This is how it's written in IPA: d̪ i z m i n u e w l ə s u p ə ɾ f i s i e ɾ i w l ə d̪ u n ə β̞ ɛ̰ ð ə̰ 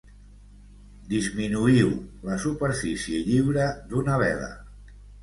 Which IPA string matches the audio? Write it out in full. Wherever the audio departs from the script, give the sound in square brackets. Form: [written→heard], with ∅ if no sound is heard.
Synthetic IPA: d̪ i z m i n u [e→i] w l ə s u p ə ɾ f i s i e [ɾ→ʎ] i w [l→ɾ] ə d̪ u n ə β̞ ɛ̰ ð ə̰